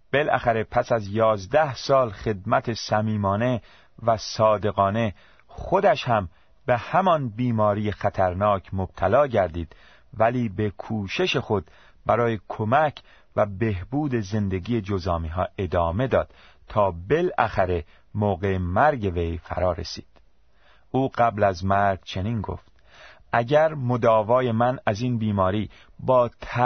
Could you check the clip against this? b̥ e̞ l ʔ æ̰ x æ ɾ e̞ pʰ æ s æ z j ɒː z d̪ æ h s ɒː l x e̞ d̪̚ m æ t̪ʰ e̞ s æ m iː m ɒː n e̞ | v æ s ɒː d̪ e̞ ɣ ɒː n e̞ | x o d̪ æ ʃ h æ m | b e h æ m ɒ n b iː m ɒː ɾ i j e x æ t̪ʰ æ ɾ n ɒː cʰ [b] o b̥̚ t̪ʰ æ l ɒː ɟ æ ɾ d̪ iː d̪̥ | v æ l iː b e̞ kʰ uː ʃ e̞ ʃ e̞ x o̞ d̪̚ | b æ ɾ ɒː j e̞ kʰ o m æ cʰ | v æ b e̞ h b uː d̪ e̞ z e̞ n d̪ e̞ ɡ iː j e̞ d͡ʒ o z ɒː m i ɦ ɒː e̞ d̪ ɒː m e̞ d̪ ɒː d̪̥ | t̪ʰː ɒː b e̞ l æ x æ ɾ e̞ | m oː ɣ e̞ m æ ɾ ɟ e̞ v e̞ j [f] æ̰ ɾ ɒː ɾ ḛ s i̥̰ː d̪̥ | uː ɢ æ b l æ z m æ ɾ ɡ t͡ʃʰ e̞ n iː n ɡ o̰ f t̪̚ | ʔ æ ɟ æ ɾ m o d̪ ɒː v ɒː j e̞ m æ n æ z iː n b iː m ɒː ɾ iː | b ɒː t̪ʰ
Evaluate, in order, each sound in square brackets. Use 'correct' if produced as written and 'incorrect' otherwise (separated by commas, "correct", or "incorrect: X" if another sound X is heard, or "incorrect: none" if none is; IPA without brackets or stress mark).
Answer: incorrect: m, correct